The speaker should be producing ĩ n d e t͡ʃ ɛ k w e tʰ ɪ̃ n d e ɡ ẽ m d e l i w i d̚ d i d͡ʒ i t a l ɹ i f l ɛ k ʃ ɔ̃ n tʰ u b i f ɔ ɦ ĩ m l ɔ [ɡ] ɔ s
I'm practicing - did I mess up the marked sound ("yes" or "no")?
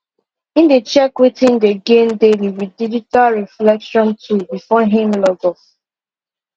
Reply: no